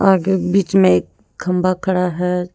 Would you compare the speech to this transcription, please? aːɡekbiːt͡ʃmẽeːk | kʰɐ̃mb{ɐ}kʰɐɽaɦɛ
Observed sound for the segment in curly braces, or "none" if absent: a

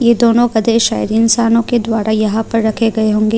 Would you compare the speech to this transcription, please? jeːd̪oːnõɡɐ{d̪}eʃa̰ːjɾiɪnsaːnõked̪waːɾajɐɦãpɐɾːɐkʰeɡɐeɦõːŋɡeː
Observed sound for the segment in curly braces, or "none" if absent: d̪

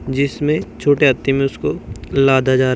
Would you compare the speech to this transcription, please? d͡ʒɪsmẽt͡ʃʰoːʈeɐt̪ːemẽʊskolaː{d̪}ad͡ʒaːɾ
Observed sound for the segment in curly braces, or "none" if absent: d̪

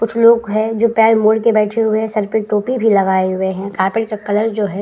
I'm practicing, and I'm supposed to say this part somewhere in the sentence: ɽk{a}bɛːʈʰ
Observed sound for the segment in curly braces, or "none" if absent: e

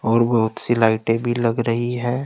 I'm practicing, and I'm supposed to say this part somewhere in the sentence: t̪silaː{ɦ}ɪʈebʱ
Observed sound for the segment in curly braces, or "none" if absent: none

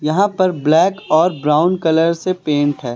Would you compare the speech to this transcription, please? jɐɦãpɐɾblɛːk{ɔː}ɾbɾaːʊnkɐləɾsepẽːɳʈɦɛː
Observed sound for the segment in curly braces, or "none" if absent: ɔː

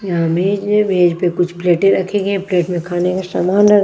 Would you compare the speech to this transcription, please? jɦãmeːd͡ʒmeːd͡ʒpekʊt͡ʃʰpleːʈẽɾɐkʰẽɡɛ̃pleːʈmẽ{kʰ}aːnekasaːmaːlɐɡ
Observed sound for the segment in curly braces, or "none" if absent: kʰ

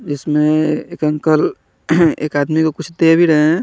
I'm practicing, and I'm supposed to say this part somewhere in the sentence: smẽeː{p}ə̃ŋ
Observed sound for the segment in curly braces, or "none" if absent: k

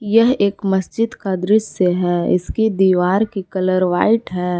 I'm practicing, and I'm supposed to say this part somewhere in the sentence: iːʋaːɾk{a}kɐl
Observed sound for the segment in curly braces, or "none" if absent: i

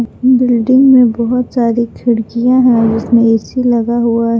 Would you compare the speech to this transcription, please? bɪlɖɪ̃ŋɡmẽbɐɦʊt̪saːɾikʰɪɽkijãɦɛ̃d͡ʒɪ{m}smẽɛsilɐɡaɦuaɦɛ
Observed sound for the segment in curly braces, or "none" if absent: none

